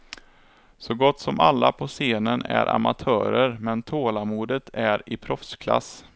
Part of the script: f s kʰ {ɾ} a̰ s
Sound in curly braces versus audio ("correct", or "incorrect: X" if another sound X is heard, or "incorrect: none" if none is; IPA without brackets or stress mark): incorrect: l